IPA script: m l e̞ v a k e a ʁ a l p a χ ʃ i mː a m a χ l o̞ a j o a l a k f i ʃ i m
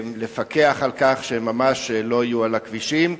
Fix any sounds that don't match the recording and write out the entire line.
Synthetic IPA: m l e̞ f a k e a χ a l k a χ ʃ e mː a m a ʃ l o̞ a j u a l a k v i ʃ i m